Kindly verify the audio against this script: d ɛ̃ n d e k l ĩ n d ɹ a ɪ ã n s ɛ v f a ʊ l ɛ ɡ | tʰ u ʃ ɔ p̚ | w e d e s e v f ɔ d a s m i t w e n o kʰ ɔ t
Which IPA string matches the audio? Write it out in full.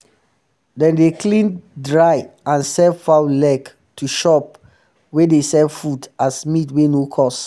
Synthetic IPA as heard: d ɛ̃ n d e k l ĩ n d ɹ a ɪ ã n s ɛ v f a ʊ l ɛ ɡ | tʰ u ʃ ɔ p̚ | w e d e s ɛ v f u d a s m i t w e n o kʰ ɔ s